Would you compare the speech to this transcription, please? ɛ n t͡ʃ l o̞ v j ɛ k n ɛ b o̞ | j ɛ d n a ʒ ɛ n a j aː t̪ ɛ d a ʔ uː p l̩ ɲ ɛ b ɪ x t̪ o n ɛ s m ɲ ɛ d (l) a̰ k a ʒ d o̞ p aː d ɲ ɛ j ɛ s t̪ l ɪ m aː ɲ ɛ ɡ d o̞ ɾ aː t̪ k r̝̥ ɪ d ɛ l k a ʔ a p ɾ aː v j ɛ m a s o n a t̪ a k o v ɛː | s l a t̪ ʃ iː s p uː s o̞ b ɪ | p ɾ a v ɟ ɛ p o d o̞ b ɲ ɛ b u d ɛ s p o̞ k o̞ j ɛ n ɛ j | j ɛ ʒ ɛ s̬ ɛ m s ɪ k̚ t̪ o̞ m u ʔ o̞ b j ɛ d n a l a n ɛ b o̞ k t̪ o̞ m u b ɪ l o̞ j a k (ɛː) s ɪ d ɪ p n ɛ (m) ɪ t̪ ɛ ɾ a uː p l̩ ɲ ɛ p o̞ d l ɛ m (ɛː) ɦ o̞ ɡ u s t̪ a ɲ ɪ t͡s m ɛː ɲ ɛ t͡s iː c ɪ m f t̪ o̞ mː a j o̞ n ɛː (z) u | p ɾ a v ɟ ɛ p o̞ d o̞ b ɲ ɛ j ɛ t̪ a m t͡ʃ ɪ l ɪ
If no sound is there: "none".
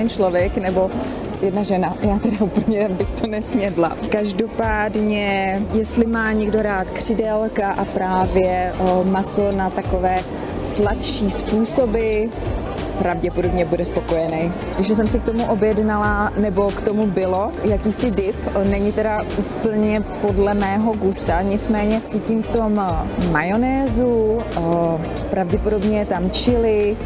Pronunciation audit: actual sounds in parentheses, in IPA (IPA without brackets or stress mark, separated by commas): l, iː, ɲ, ɛː, z